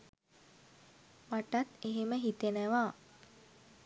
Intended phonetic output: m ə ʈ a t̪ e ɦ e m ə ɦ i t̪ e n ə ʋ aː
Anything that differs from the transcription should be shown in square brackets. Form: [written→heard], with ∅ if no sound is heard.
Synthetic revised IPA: m [ə→a] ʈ a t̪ e ɦ e m ə ɦ i t̪ e n ə ʋ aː